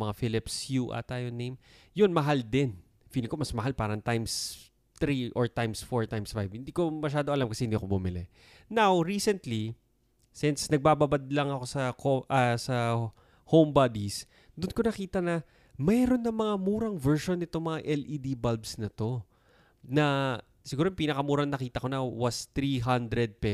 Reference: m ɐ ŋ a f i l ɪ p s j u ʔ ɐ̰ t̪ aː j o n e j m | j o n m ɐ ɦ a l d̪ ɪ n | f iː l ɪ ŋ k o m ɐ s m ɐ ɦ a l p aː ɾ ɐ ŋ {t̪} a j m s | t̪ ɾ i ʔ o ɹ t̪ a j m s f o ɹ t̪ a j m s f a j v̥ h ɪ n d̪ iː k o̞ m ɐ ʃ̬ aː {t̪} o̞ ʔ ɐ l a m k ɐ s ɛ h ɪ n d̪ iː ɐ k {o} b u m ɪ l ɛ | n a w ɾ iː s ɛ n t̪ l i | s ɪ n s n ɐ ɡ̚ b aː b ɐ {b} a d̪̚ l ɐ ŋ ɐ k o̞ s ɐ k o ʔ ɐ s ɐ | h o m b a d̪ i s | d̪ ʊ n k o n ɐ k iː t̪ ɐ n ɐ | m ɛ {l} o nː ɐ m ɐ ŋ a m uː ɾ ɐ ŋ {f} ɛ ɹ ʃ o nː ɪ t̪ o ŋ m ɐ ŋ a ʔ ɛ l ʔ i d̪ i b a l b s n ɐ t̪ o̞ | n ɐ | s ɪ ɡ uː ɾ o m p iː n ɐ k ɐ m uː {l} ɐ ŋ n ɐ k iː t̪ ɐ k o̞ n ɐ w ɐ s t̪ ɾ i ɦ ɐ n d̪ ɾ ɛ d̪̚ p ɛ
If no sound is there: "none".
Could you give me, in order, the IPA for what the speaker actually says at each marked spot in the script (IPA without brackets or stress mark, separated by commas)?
t̪, d̪, o, b, ɾ, v, ɾ